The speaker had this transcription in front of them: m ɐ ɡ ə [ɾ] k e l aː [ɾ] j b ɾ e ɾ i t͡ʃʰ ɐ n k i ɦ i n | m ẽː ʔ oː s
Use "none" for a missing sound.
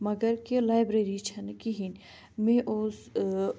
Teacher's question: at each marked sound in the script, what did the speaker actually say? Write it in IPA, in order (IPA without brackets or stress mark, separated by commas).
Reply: ɾ, none